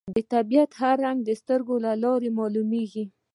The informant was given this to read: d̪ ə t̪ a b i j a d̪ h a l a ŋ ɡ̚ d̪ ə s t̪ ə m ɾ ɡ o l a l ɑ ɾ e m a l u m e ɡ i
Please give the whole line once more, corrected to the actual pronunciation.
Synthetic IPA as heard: d̪ ə t̪ a b i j a t̪ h a ɾ a ŋ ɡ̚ d̪ ə s t̪ ə ɾ ɡ o l a l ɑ ɾ e m ɑ l u m e ɡ i